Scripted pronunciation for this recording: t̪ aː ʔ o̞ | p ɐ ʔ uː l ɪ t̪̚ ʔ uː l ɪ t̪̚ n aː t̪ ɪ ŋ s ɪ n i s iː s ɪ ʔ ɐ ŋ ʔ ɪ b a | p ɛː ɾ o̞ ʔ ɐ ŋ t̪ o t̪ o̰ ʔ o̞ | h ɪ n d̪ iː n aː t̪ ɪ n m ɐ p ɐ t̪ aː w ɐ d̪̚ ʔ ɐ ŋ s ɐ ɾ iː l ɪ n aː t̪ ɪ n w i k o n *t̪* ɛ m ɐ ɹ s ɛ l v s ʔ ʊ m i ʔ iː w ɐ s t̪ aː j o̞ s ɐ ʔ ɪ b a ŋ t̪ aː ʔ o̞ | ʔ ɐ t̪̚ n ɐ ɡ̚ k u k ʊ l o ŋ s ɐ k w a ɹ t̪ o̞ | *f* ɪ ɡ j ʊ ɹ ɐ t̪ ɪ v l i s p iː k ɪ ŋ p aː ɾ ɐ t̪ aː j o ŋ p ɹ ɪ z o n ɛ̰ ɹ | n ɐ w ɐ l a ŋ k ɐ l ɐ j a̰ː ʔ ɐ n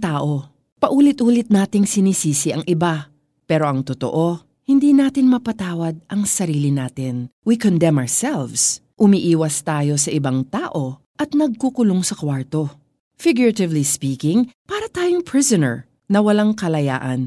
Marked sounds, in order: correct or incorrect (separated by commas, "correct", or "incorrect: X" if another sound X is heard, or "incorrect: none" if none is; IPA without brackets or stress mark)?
incorrect: d̪, correct